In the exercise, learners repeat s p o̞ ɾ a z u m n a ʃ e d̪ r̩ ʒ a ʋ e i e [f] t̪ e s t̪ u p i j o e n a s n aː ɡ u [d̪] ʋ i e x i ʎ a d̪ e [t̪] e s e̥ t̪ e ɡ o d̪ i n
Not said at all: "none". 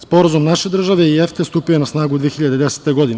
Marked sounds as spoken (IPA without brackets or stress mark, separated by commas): f, d̪, d̪